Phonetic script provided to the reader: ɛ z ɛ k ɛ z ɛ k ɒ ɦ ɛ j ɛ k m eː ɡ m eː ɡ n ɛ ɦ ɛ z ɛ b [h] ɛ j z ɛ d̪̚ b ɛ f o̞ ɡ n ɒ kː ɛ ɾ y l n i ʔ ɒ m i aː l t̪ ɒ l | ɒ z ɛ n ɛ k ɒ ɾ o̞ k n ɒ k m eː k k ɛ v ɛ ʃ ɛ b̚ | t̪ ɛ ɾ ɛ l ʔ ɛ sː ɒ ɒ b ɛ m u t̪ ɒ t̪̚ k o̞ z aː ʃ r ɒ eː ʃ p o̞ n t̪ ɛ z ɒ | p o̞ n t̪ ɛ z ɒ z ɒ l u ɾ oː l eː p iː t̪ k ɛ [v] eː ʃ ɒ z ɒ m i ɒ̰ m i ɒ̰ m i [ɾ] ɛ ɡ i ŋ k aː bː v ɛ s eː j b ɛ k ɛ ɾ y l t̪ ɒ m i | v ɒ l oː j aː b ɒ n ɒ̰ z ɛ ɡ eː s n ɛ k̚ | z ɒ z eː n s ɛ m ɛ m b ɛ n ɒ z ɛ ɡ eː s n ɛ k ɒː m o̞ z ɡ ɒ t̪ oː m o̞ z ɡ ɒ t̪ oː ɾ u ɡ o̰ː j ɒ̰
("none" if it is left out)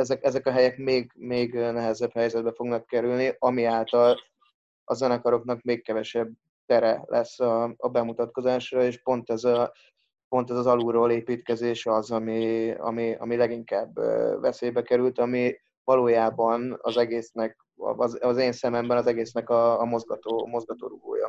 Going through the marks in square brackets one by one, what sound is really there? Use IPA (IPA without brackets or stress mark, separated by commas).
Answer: h, z, l